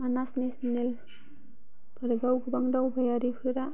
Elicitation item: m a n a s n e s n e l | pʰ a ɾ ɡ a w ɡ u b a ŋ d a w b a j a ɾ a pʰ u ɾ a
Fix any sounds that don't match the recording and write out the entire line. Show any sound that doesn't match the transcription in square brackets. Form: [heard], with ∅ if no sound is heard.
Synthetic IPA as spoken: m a n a s n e s n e l | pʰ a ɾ ɡ a w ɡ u b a ŋ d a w b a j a ɾ [i] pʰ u ɾ a